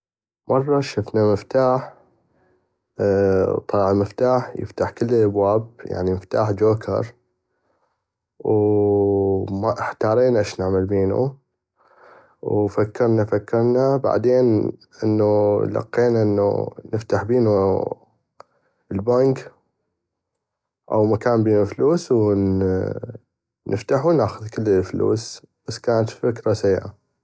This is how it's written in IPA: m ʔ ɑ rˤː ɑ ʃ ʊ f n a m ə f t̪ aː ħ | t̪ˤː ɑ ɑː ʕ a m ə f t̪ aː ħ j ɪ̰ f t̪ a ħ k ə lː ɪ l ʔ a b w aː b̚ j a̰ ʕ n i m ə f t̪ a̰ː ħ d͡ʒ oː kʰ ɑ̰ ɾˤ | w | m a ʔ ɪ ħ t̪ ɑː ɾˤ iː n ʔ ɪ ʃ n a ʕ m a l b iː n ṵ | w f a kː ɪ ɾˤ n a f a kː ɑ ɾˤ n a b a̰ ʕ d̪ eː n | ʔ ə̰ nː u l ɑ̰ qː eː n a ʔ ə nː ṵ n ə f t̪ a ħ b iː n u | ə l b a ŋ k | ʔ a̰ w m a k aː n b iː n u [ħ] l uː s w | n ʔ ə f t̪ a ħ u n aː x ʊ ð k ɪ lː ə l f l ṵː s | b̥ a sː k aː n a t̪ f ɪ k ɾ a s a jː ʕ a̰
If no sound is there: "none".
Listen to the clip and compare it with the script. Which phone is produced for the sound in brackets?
f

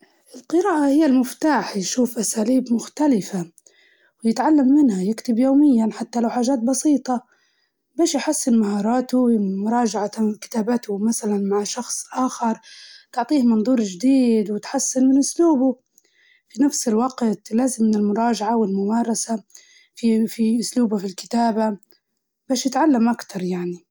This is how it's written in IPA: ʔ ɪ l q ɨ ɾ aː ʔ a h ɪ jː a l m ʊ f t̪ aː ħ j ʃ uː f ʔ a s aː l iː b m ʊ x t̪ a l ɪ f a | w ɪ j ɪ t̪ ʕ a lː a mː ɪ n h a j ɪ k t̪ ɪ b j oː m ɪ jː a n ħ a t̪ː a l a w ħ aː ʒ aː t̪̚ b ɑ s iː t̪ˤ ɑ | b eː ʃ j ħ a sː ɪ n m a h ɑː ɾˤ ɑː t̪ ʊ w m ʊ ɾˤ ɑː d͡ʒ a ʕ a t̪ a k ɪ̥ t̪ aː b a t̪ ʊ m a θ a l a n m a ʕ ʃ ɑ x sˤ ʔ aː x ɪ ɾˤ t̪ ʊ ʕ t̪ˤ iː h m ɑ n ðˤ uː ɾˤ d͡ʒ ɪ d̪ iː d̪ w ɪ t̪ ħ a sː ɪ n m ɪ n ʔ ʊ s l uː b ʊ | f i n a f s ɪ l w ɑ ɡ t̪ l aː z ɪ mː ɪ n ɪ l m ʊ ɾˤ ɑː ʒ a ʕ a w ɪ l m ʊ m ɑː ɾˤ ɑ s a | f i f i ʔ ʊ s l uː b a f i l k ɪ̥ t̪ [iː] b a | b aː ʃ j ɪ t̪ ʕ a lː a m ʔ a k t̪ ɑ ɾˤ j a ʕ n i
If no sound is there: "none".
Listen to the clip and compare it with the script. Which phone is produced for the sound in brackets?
aː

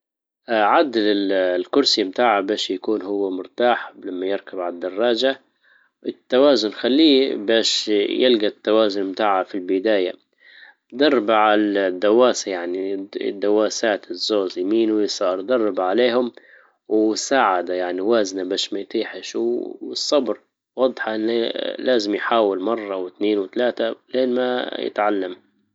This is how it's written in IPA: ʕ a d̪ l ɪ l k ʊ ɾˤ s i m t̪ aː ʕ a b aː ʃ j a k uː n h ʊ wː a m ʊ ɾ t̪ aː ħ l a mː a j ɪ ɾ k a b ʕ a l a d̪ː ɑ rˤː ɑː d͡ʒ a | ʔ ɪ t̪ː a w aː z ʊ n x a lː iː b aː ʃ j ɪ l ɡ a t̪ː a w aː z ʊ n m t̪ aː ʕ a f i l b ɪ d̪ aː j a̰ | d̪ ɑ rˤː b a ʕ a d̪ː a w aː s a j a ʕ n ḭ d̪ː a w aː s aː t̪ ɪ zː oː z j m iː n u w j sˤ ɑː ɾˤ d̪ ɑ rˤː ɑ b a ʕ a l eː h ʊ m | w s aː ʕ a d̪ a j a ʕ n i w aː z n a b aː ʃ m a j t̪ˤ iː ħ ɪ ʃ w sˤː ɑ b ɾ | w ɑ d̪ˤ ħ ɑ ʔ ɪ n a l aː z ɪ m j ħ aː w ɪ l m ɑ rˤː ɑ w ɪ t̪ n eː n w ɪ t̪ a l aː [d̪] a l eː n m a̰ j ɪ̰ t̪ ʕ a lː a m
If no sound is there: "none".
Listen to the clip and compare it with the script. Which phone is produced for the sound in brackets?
t̪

